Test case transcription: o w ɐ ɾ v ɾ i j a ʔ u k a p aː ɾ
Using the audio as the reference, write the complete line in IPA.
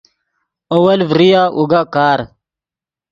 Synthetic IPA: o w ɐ l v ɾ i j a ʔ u ɡ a k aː ɾ